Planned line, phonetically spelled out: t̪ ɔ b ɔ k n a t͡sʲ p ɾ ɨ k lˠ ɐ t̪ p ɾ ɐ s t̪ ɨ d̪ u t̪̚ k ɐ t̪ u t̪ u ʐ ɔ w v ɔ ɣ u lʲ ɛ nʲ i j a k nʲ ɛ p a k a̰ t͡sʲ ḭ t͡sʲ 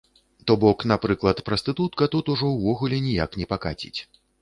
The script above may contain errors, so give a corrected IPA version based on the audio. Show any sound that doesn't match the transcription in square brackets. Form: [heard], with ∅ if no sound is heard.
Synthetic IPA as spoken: t̪ ɔ b ɔ k n a [∅] p ɾ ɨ k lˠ ɐ t̪ p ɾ ɐ s t̪ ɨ [t̪] u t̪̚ k ɐ t̪ u t̪ u ʐ ɔ w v ɔ ɣ u lʲ ɛ nʲ i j a k nʲ ɛ p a k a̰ t͡sʲ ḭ t͡sʲ